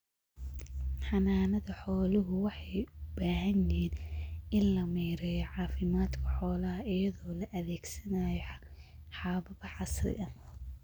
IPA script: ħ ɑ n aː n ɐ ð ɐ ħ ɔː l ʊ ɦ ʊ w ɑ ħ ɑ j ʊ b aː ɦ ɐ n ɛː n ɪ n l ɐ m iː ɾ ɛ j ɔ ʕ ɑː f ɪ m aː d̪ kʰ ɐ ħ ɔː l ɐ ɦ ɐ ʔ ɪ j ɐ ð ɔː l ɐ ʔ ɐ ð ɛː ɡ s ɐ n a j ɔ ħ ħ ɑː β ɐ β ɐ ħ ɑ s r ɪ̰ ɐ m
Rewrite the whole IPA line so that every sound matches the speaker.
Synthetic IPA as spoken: ħ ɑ n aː n ɐ ð ɐ ħ ɔː l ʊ ɦ ʊ w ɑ ħ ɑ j ʊ b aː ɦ ɐ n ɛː n ɪ n l ɐ m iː ɾ ɛ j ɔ ʕ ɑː f ɪ m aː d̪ kʰ ɐ ħ ɔː l ɐ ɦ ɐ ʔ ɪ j ɐ ð ɔː l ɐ ʔ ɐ ð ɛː ɡ s ɐ n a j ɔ ħ ħ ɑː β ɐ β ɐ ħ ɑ s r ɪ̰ ɐ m